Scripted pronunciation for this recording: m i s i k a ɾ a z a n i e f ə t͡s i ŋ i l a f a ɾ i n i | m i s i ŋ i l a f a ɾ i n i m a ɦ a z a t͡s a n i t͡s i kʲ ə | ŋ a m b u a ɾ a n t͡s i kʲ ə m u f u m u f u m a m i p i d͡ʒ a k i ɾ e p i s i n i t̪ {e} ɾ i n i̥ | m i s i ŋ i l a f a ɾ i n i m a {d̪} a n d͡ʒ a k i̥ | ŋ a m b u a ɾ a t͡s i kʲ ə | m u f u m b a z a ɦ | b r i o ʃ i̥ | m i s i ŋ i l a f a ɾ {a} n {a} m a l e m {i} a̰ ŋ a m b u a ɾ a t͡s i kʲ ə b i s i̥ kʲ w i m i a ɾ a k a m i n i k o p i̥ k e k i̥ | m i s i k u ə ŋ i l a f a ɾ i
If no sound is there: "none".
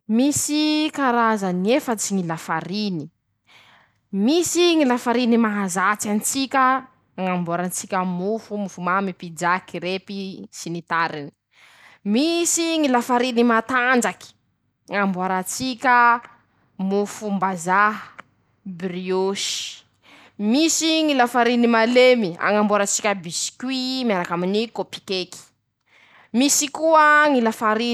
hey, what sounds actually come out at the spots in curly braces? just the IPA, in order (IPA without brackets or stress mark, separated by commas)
a, t̪, i, i, i